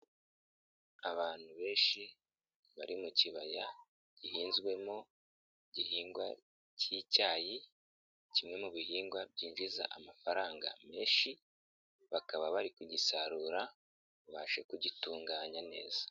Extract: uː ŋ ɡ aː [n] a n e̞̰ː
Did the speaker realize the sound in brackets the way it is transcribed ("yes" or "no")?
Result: no